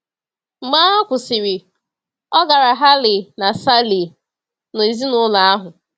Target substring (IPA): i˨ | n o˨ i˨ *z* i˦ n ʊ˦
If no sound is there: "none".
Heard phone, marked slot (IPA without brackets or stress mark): z